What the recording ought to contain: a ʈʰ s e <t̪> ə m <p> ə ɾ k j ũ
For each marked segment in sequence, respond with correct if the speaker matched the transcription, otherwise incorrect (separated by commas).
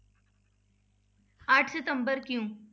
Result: correct, incorrect